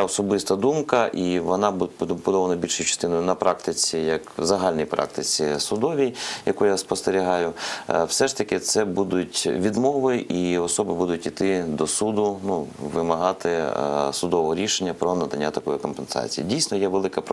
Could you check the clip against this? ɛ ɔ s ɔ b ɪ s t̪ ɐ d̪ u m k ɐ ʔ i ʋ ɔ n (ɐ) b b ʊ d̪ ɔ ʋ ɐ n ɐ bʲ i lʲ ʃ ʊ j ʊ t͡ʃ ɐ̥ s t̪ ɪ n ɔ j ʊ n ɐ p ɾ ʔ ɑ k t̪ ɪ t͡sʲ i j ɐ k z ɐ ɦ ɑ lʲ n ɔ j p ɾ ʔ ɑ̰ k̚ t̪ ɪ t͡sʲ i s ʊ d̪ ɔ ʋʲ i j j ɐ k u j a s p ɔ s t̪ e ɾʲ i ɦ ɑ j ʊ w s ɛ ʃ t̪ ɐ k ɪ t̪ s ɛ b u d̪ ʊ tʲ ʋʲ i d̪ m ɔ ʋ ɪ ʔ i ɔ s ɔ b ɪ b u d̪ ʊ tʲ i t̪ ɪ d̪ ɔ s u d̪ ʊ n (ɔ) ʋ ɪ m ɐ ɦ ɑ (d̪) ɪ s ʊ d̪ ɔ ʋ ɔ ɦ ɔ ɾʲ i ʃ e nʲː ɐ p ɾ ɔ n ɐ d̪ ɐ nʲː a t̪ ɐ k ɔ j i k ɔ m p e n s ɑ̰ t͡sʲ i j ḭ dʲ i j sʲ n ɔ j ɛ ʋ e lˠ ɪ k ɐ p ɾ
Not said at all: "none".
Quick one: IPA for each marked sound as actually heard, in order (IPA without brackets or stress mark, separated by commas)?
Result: ɑ, u, t̪